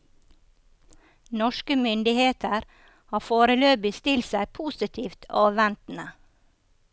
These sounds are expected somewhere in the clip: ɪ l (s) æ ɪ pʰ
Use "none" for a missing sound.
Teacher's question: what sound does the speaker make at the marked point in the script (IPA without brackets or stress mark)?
s